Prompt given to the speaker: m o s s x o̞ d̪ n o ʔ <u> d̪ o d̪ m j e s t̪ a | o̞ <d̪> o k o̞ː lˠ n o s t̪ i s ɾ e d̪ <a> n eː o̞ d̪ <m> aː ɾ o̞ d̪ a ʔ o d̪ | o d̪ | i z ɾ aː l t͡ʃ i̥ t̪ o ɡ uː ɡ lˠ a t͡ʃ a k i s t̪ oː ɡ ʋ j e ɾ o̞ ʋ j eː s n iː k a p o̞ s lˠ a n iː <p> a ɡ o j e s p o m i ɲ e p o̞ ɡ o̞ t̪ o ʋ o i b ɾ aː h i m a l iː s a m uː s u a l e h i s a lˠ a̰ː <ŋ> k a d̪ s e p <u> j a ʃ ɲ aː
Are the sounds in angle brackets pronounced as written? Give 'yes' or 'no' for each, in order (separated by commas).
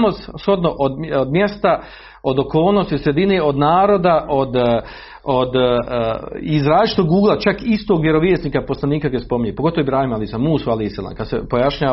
no, yes, no, no, no, no, no